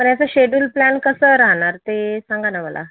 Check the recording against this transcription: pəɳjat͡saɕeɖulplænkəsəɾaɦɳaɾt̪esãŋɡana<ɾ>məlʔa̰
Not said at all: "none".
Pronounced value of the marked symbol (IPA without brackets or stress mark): none